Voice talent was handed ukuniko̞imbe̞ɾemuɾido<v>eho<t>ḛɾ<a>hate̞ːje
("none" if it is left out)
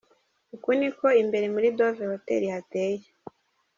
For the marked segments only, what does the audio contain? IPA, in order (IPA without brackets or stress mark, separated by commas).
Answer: v, t, i